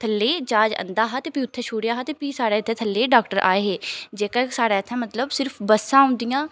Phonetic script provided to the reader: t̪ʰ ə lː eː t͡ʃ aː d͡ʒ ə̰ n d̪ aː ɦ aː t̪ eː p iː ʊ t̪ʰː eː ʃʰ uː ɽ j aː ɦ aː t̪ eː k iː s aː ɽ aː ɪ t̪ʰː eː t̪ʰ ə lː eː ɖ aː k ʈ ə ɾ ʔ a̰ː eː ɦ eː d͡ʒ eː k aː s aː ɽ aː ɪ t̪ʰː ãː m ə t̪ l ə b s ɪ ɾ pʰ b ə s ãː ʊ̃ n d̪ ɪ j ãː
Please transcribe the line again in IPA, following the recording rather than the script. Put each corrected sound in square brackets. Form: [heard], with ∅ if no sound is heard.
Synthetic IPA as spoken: t̪ʰ ə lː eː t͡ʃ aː d͡ʒ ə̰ n d̪ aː ɦ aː t̪ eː p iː ʊ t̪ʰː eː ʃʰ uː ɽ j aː ɦ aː t̪ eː [p] iː s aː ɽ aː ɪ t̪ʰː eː t̪ʰ ə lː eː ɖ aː k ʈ ə ɾ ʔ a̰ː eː ɦ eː d͡ʒ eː k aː s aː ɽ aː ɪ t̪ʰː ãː m ə t̪ l ə b s ɪ ɾ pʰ b ə s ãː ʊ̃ n d̪ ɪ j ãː